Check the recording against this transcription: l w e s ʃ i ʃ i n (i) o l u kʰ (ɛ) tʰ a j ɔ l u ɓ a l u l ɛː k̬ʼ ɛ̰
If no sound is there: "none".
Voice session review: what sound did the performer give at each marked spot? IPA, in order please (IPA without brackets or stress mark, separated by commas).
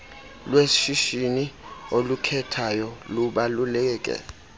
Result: i, ɛ